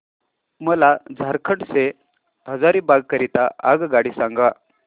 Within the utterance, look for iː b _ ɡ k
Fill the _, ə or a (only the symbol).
a